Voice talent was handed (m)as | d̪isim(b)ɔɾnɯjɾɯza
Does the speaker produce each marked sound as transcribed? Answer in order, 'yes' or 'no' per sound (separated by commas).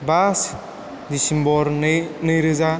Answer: no, yes